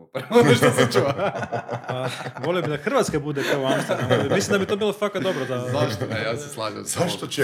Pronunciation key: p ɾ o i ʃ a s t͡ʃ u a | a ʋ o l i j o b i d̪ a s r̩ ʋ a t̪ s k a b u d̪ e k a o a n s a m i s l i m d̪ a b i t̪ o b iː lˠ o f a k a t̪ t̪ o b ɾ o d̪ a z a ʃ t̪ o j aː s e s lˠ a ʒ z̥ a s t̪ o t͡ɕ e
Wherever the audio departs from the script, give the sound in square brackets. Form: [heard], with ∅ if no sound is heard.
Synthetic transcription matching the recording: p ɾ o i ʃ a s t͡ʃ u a | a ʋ o l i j o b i d̪ a [x] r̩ ʋ a t̪ s k a b u d̪ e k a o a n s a m i s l i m d̪ a b i t̪ o b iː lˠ o f a k a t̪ [d̪] o b ɾ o d̪ a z a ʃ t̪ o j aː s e s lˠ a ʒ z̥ a [ʃ] t̪ o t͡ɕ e